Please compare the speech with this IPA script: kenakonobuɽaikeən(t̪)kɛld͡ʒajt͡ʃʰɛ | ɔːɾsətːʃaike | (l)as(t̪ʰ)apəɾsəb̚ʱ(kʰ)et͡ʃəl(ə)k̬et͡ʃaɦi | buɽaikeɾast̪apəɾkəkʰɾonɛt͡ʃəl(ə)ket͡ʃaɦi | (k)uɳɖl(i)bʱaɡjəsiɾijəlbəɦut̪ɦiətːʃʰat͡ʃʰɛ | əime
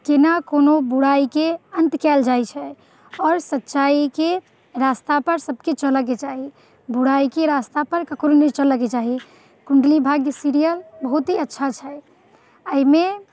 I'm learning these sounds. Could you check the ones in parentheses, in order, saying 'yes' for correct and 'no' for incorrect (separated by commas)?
yes, no, no, no, yes, yes, yes, yes